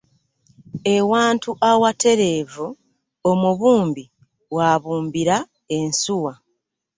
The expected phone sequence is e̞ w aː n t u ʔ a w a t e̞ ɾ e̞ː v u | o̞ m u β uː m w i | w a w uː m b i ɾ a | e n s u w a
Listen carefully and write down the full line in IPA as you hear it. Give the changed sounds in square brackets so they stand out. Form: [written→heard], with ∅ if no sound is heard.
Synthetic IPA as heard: e̞ w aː n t u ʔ a w a t e̞ ɾ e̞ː v u | o̞ m u β uː m [w→b] i | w a [w→β] uː m b i ɾ a | e n s u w a